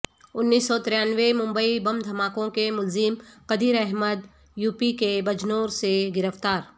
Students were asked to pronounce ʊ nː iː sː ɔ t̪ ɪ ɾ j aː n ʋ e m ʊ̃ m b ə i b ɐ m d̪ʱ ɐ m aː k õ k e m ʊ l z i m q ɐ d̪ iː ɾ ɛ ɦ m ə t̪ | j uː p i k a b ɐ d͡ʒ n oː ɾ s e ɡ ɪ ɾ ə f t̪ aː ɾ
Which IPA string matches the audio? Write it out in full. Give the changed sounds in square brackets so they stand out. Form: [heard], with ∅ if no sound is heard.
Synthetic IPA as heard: ʊ nː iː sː ɔ t̪ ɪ ɾ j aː n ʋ e m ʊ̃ m b ə i b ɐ m d̪ʱ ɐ m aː k õ k e m ʊ l z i m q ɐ d̪ iː ɾ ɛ ɦ m ə [d̪] | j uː p i k [e] b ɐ d͡ʒ n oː ɾ s e ɡ ɪ ɾ ə f t̪ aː ɾ